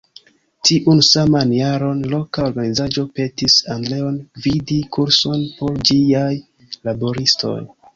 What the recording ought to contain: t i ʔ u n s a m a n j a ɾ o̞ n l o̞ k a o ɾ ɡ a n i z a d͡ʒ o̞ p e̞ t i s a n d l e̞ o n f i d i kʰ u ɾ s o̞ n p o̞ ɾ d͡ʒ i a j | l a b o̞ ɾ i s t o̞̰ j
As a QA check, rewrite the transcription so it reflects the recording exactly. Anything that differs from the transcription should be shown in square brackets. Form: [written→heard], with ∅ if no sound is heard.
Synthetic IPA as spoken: t i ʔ u n s a m a n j a ɾ o̞ n l o̞ k a o ɾ ɡ a n i z a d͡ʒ o̞ p e̞ t i s a n d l e̞ o n [f→v] i d i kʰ u ɾ s o̞ n p o̞ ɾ d͡ʒ i a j | l a b o̞ ɾ i s t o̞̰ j